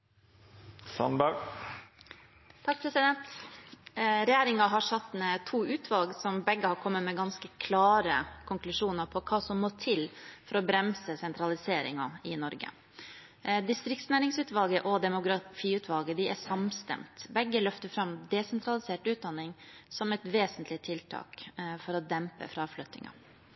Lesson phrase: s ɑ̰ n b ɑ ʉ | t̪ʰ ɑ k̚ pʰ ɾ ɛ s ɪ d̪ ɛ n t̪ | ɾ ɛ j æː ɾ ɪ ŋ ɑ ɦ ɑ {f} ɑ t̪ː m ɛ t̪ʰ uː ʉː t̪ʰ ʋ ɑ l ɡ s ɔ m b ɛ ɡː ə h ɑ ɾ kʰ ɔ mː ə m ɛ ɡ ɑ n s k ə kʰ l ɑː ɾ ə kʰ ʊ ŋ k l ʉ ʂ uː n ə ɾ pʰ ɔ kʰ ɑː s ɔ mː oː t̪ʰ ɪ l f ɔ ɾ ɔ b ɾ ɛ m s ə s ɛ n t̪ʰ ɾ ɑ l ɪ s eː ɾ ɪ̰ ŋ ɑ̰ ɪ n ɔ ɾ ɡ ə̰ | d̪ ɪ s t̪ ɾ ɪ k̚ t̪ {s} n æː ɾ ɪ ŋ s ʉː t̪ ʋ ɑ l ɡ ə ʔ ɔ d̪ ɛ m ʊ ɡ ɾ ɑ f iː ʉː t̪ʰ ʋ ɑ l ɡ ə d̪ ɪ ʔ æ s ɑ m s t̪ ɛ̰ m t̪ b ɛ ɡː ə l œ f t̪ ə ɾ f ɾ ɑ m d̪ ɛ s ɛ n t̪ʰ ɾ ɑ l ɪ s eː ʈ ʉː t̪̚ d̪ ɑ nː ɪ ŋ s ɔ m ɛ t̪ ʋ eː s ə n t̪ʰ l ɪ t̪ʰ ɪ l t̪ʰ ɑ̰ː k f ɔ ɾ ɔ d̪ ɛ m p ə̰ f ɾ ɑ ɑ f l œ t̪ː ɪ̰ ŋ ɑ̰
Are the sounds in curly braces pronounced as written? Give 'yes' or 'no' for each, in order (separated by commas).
no, yes